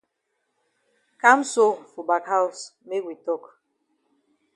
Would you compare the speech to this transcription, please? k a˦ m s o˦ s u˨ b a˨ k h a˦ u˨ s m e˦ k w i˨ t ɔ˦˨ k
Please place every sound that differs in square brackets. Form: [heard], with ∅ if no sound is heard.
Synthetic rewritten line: k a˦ m s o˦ [f] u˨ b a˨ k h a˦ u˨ s m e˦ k w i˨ t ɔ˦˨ k